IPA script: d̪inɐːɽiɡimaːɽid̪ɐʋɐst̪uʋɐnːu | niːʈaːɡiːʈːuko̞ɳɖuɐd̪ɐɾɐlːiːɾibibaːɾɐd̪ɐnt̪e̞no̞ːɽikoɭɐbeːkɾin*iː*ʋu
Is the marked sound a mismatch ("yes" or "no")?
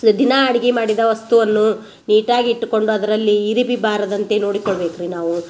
yes